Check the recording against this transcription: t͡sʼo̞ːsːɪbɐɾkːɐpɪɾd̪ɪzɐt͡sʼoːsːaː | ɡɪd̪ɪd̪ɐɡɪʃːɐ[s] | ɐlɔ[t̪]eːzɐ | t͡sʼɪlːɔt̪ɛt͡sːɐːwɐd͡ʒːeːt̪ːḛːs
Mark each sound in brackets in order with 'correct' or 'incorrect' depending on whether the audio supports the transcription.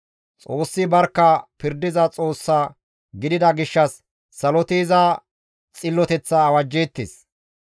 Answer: incorrect: sː, correct

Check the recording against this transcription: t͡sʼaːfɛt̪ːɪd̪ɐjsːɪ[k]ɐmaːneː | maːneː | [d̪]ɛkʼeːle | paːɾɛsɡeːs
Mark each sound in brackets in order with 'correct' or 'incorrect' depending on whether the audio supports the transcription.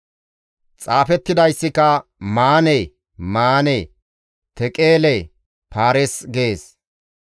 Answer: correct, incorrect: t̪

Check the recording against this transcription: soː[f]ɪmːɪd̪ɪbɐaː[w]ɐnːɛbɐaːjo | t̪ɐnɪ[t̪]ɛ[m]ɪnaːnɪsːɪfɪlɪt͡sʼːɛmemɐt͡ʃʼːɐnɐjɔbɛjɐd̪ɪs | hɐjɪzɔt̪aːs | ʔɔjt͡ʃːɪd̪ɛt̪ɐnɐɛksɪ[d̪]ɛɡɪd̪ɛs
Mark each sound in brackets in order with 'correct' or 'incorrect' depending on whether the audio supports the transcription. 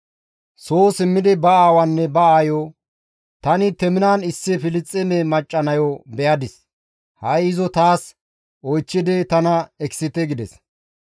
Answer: incorrect: s, correct, correct, correct, incorrect: t̪

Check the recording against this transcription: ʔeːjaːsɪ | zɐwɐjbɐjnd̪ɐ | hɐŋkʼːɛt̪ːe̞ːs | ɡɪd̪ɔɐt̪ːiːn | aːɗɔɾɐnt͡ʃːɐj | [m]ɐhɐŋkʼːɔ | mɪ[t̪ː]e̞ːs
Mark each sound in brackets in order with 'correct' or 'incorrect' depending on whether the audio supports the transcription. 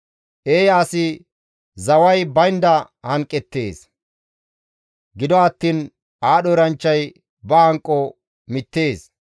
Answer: incorrect: b, correct

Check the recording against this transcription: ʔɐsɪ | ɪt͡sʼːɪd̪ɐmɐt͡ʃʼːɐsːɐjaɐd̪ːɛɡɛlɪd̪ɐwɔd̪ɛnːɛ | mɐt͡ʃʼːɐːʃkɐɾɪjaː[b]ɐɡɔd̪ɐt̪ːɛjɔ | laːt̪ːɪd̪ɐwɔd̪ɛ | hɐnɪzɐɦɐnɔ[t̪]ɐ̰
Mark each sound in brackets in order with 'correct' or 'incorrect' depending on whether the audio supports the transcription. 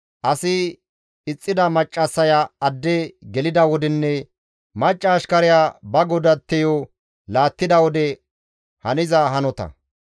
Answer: correct, correct

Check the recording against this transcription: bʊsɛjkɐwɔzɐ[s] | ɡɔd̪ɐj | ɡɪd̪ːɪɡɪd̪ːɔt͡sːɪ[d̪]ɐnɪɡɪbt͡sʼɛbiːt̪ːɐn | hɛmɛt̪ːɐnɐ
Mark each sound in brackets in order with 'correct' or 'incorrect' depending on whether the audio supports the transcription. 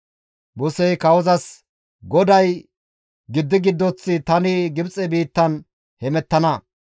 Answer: correct, incorrect: t̪

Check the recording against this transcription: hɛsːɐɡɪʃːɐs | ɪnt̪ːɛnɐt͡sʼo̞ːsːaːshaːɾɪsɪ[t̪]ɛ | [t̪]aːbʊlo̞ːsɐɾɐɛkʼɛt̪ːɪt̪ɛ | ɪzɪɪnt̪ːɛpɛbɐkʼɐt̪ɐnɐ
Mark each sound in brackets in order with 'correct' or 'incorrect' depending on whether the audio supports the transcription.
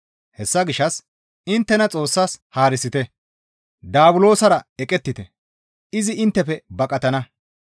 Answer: correct, incorrect: d̪

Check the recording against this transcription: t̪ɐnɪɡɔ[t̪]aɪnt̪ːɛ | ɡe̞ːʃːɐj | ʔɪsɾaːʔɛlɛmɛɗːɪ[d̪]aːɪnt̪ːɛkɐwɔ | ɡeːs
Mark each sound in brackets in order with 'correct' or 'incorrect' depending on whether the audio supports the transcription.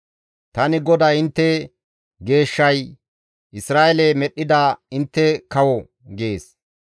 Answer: incorrect: d̪, correct

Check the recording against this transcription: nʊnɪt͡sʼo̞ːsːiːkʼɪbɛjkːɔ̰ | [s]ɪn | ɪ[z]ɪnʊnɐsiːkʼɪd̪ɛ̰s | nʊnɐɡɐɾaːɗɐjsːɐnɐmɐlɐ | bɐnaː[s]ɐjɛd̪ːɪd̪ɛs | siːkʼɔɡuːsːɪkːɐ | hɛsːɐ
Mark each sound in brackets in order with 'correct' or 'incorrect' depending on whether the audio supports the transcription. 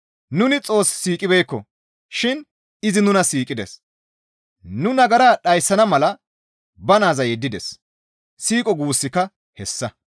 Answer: incorrect: ʃ, correct, incorrect: z

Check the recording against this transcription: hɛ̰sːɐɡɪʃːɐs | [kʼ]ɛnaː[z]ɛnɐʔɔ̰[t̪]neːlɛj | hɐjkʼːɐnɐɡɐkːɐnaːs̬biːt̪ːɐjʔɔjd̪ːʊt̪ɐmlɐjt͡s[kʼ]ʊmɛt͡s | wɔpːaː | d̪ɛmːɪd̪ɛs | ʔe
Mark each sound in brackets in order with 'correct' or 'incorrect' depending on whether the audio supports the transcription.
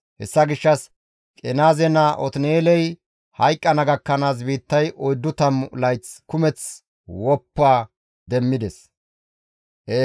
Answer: correct, correct, correct, incorrect: k

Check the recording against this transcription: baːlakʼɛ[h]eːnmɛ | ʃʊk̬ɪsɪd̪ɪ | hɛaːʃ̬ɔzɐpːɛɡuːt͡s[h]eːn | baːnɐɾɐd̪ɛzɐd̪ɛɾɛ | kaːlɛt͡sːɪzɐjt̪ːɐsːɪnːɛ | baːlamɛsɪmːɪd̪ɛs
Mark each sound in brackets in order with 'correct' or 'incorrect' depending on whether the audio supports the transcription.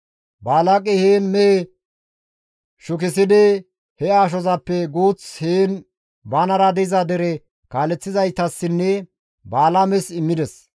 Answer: correct, correct

